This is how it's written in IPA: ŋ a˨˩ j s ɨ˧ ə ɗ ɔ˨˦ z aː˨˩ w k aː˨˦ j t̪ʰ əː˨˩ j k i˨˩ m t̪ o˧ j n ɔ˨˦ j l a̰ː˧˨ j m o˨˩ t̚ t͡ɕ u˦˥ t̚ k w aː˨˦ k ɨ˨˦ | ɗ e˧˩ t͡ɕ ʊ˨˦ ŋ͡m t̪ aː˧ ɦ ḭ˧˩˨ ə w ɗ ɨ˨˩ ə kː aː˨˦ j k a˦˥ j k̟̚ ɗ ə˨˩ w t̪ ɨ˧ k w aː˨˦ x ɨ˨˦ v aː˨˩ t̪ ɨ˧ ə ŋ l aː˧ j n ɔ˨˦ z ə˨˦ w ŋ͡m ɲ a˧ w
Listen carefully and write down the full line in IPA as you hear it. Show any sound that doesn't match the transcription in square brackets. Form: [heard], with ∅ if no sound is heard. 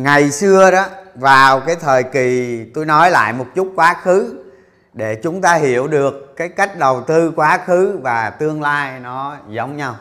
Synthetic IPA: ŋ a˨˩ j s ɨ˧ ə ɗ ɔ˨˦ [v] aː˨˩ w k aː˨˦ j t̪ʰ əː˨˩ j k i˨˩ [∅] t̪ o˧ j n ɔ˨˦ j l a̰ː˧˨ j m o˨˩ t̚ t͡ɕ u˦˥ t̚ k w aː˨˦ [x] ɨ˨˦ | ɗ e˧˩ t͡ɕ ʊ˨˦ ŋ͡m t̪ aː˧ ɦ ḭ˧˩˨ ə w ɗ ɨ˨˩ ə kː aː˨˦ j k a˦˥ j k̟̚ ɗ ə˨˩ w t̪ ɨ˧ k w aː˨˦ x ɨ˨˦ v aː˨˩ t̪ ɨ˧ ə ŋ l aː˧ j n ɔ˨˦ z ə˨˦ w ŋ͡m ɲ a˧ w